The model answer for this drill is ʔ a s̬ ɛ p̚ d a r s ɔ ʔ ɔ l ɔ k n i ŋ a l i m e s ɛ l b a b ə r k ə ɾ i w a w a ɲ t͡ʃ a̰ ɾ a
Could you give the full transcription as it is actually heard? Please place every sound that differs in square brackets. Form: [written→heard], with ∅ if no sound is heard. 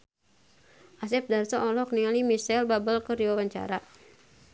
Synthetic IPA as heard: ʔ a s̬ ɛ p̚ d a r s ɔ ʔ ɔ l ɔ k n i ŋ a l i m [e→i] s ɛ l b a b ə [r→l] k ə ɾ i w a w a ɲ t͡ʃ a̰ ɾ a